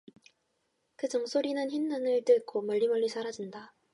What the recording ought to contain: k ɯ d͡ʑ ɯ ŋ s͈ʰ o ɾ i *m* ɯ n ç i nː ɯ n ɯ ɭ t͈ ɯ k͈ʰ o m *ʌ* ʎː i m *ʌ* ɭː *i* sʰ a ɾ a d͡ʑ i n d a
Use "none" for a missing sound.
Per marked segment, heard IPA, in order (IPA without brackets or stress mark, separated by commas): n, ʌ, ʌ, i